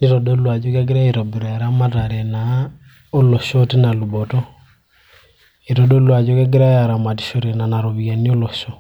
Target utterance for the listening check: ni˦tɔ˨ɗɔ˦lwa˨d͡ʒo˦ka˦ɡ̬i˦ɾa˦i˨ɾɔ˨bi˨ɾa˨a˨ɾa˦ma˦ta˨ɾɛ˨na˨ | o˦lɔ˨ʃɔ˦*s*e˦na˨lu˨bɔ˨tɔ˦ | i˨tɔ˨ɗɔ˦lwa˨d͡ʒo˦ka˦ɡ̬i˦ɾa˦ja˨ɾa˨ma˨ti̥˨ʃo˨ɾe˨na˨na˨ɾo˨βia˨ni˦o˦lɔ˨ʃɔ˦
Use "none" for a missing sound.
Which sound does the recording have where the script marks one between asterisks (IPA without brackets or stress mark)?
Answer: t